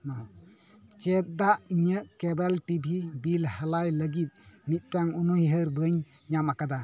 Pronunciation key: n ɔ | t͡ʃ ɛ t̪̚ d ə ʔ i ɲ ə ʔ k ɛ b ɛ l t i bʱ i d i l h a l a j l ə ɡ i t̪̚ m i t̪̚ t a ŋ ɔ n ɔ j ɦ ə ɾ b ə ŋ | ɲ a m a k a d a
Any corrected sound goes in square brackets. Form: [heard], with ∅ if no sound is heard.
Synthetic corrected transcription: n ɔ | t͡ʃ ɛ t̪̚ d [a] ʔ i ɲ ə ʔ k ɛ b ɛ l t i bʱ i [b] i l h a l a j l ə ɡ i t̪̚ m i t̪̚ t a ŋ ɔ n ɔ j ɦ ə ɾ b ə [ɲ] | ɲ a m a k a d a